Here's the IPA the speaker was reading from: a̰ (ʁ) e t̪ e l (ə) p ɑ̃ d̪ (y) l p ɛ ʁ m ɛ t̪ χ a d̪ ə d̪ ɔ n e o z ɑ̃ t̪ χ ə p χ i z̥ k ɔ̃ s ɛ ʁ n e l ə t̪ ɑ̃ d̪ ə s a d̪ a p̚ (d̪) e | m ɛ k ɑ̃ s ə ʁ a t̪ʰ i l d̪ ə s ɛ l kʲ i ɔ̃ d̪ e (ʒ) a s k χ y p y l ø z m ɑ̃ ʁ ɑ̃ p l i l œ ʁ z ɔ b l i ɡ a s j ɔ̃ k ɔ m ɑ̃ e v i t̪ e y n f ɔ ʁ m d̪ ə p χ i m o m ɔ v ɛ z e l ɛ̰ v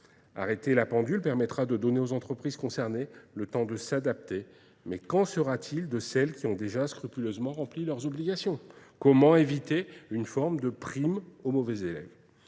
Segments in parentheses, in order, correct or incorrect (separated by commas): correct, incorrect, correct, incorrect, correct